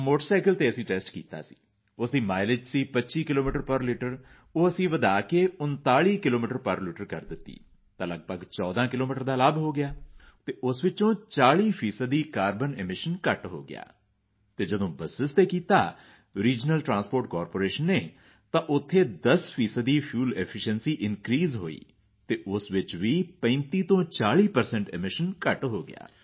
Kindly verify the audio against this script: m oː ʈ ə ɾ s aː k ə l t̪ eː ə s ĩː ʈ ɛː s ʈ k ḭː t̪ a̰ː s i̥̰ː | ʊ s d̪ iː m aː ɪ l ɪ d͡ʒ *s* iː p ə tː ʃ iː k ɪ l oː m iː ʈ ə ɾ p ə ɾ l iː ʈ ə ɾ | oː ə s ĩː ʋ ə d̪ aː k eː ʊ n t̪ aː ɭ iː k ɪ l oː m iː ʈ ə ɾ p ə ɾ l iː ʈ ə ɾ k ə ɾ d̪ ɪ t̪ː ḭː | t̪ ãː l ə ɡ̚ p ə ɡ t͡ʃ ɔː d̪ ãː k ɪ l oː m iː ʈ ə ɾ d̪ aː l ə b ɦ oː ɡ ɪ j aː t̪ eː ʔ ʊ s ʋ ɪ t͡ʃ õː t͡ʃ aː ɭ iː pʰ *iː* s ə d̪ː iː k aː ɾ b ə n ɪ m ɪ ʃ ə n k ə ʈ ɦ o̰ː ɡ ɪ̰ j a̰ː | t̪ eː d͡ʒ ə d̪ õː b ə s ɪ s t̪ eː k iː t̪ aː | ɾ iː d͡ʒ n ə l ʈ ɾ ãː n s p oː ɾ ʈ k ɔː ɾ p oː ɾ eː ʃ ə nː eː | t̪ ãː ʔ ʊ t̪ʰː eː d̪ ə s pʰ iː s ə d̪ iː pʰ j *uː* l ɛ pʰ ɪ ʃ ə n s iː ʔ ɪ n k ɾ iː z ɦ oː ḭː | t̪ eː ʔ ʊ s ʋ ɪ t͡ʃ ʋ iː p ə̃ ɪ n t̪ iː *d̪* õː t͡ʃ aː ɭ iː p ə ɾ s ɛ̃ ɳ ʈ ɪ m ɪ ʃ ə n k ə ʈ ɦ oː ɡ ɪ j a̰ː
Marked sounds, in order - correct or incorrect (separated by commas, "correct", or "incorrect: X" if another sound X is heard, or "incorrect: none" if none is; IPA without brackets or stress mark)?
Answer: correct, correct, correct, incorrect: t̪